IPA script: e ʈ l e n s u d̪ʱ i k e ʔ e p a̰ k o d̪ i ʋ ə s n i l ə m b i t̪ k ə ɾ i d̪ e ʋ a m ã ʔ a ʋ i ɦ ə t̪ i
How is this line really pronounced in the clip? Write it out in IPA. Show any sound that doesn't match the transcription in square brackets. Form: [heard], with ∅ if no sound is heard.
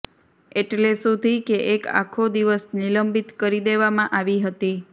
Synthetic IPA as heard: e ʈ l e [∅] s u d̪ʱ i k e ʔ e [k] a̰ [kʰ] o d̪ i ʋ ə s n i l ə m b i t̪ k ə ɾ i d̪ e ʋ a m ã ʔ a ʋ i ɦ ə t̪ i